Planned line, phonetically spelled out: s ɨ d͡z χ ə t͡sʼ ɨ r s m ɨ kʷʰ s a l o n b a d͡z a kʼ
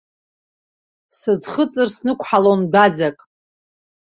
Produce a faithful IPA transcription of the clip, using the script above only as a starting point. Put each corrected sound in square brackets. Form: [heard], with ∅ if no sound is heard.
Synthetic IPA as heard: s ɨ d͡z χ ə t͡sʼ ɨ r s [n] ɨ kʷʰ [ħ] a l o n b a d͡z a kʼ